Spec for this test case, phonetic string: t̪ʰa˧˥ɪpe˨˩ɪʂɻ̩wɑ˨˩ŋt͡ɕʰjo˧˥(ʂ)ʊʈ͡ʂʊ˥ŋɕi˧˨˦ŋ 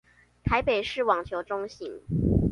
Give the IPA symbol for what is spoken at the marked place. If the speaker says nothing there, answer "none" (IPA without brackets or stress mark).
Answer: none